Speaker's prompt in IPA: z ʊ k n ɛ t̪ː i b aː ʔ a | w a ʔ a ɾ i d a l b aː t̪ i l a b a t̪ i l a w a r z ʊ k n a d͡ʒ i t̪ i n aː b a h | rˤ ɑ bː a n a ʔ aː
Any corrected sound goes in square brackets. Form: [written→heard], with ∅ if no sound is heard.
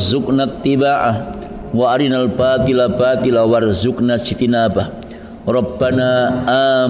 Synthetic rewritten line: z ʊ k n [ɛ→a] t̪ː i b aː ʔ a | w a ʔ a ɾ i [d→n] a l b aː t̪ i l a b a t̪ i l a w a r z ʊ k n a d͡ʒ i t̪ i n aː b a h | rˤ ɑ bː a n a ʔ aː